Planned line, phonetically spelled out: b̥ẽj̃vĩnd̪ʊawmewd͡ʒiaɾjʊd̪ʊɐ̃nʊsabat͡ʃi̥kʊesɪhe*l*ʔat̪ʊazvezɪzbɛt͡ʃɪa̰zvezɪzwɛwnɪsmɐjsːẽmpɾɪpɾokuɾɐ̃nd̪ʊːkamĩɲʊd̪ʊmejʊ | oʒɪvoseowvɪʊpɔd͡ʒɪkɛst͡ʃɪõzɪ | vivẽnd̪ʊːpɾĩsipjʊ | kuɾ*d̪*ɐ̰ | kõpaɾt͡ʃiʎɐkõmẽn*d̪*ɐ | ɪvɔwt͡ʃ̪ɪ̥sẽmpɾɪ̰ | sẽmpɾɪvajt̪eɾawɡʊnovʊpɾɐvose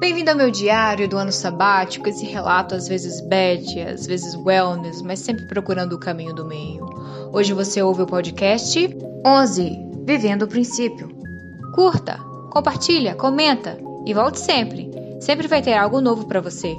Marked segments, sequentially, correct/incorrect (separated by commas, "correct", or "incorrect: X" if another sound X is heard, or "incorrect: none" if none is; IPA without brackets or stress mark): correct, incorrect: t̪, incorrect: t̪